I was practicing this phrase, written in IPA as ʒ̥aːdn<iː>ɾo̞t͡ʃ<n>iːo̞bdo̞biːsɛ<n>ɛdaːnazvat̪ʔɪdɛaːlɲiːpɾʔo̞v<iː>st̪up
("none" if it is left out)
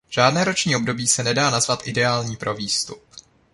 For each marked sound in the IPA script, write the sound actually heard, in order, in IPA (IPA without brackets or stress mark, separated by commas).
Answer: ɛː, ɲ, n, iː